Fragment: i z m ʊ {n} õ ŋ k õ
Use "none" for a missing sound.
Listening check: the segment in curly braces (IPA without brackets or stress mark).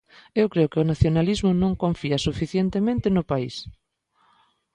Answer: n